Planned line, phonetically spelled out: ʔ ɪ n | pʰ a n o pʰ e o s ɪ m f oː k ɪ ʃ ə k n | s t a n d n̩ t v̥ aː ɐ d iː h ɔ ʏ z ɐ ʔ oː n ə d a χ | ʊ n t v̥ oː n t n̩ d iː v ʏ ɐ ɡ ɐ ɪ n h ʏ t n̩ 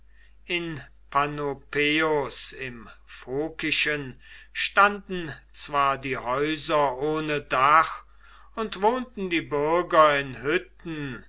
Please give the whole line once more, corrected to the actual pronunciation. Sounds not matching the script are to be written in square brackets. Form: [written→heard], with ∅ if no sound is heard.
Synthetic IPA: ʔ ɪ n | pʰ a n o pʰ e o s ɪ m f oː k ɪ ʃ ə [k→∅] n | [s→ʃ] t a n d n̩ [t→t͡s] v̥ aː ɐ d iː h ɔ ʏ z ɐ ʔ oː n ə d a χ | ʊ n t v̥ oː n t n̩ d iː [v→b] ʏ ɐ ɡ ɐ ɪ n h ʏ t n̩